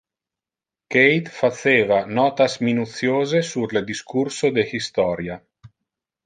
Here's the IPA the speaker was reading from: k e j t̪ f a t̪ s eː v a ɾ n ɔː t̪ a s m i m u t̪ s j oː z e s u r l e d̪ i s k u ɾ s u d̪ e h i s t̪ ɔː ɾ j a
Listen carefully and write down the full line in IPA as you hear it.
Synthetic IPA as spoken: k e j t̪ f a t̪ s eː v a n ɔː t̪ a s m i n u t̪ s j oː z e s u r l e d̪ i s k u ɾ s o d̪ e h i s t̪ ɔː ɾ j a